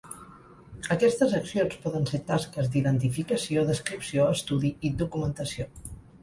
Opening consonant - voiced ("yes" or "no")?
no